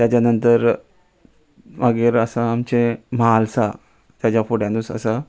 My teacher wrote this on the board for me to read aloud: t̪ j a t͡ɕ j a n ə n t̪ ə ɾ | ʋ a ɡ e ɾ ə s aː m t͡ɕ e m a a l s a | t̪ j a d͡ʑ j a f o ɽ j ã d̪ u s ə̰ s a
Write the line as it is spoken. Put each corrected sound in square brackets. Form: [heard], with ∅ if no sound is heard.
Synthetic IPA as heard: t̪ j a t͡ɕ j a n ə n t̪ ə ɾ | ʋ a ɡ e ɾ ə s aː m t͡ɕ e m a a l s a | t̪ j a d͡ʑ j a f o ɽ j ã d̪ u s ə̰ s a